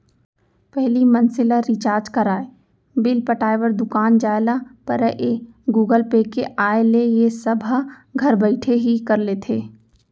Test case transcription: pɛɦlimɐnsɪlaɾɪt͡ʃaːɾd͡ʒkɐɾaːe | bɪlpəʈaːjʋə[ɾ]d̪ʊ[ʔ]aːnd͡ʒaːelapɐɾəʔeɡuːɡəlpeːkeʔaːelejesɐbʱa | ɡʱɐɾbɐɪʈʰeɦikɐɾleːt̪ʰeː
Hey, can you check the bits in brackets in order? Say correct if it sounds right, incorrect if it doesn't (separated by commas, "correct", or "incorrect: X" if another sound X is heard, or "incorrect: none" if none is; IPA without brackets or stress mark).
correct, incorrect: k